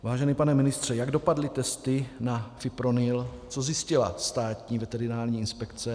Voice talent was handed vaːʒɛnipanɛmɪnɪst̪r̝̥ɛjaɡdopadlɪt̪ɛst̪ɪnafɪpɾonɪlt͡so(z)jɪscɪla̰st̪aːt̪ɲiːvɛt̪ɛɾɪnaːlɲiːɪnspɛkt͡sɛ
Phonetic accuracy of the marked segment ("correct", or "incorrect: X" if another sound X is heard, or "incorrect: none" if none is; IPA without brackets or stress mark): correct